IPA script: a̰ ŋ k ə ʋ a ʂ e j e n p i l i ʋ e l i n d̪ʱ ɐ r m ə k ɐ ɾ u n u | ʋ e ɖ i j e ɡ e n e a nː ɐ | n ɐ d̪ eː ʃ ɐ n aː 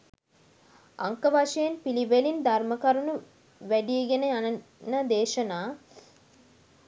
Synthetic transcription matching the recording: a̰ ŋ k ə ʋ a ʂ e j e n p i l i ʋ e l i n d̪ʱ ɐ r m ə k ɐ ɾ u n u | ʋ æ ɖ i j e ɡ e n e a n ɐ | n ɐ d̪ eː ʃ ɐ n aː